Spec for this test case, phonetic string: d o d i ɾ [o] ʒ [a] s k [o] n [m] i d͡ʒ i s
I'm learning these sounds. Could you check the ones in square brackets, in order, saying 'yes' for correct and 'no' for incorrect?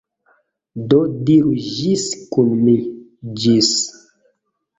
no, no, no, yes

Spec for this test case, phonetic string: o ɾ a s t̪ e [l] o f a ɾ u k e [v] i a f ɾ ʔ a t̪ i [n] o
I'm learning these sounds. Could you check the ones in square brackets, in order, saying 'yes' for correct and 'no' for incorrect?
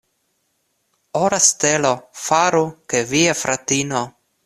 yes, yes, yes

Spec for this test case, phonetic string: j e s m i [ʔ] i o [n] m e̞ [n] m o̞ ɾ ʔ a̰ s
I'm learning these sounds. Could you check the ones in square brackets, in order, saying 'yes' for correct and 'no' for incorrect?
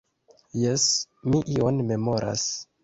yes, yes, no

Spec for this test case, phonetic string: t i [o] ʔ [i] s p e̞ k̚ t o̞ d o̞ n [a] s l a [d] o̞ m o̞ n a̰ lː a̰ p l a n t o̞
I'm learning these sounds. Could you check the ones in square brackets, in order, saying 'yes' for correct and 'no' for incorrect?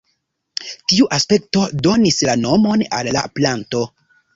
no, no, no, no

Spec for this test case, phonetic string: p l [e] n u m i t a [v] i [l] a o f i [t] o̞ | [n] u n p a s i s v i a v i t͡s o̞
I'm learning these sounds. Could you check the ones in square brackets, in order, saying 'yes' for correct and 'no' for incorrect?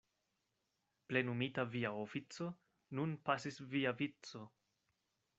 yes, yes, no, no, yes

